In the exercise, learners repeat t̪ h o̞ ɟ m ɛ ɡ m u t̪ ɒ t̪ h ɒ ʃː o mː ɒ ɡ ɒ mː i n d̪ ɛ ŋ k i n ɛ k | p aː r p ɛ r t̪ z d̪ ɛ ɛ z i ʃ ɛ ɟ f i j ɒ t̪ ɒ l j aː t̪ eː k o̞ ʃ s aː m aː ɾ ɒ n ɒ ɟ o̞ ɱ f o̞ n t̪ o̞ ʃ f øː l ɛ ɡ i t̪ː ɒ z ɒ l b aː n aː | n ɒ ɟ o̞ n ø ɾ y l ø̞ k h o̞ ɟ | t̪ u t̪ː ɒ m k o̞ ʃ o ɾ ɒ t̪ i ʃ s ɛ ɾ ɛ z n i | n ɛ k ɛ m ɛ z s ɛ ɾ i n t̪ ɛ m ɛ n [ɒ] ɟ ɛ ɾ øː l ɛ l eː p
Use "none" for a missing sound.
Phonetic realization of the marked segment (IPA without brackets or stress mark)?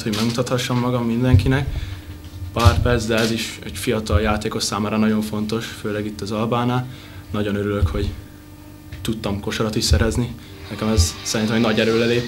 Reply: ɒ